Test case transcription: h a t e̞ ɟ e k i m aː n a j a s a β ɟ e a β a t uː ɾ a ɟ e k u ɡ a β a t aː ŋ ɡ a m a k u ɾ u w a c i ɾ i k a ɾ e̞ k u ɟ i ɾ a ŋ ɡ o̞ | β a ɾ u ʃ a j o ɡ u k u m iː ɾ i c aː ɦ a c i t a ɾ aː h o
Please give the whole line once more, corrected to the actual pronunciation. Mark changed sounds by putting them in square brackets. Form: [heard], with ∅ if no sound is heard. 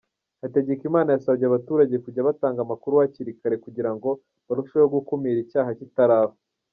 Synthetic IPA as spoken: h a t e̞ ɟ e k i m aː n a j a s a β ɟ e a β a t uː ɾ a ɟ e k u [ɟ] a β a t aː ŋ ɡ a m a k u ɾ u w a c i ɾ i k a ɾ e̞ k u ɟ i ɾ a ŋ ɡ o̞ | β a ɾ u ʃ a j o ɡ u k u m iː ɾ i c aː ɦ a c i t a ɾ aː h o